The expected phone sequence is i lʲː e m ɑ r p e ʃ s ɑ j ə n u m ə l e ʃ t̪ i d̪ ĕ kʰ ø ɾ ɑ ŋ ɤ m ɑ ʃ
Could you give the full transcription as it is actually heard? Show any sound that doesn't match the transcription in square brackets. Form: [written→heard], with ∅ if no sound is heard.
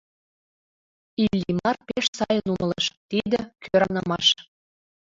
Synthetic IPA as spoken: i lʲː [e→i] m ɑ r p e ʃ s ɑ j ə n u m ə l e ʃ t̪ i d̪ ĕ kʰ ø ɾ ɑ [ŋ→n] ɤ m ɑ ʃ